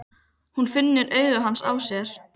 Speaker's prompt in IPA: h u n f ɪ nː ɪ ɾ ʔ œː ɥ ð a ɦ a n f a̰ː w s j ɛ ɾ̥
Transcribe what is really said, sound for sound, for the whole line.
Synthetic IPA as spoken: h u n f ɪ nː ɪ ɾ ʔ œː ɥ ɣ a ɦ a n s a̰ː w s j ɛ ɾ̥

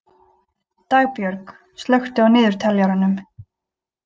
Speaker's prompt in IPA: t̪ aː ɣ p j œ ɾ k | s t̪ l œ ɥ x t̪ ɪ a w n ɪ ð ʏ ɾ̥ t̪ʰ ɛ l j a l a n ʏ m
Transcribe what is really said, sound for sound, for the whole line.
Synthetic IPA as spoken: t̪ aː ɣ p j œ ɾ k | s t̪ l œ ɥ x t̪ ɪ a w n ɪː ð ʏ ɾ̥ t̪ʰ ɛ l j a ɾ a n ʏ m

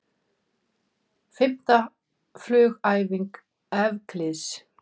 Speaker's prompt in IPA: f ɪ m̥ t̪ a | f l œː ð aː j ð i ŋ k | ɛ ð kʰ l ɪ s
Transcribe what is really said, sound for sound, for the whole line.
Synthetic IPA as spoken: f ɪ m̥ t̪ a | f l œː ɣ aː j v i ŋ k | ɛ v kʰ l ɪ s

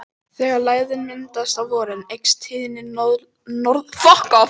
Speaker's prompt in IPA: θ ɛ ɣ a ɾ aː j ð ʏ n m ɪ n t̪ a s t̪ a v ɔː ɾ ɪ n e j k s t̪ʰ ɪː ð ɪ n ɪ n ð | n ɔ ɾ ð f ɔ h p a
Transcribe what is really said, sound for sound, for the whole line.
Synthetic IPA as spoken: θ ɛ ɣ a l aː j ð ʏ n m ɪ n t̪ a s t̪ a v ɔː ɾ ɪ n e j k s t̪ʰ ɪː ð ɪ n ɪ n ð | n ɔ ɾ ð f ɔ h k a

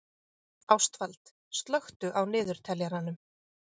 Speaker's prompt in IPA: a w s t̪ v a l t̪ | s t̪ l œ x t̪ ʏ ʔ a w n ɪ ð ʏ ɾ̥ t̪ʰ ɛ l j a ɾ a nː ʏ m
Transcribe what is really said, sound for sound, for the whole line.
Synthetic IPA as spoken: a w s t̪ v a l t̪ | s t̪ l œ x t̪ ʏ ʔ a w n ɪː ð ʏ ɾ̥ t̪ʰ ɛ l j a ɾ a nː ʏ m

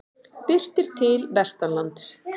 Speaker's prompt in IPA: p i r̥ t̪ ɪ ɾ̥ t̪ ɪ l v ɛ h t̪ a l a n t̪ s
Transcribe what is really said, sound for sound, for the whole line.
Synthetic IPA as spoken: p ɪ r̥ t̪ ɪ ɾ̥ t̪ʰ ɪ l v ɛ s t̪ a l a n t̪ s

